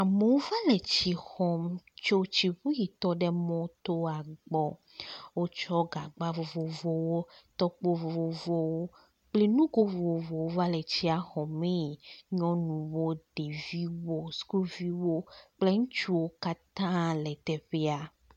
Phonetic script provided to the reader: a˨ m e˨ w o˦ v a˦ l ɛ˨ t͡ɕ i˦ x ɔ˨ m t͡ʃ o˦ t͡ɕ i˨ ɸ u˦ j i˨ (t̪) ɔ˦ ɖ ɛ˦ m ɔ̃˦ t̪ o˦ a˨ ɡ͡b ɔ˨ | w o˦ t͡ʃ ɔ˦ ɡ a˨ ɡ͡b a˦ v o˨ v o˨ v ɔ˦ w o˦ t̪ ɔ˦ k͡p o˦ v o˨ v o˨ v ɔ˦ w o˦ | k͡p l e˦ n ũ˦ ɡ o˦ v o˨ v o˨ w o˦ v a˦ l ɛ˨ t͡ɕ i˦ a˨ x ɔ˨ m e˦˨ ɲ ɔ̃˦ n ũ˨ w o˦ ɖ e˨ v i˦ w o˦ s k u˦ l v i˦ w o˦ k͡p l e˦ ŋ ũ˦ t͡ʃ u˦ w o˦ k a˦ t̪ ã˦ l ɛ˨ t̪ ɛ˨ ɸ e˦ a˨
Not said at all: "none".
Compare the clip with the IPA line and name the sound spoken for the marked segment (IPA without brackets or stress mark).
t̪